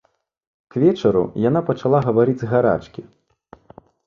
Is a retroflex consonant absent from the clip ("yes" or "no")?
no